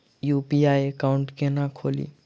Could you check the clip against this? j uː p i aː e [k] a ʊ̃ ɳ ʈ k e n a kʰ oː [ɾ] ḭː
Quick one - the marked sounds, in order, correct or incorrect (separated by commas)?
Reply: correct, incorrect